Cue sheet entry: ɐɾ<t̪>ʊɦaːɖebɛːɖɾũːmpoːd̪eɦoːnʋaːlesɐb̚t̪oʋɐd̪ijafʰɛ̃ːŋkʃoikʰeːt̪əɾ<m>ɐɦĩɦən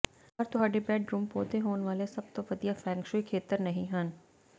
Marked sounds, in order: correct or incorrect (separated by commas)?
correct, incorrect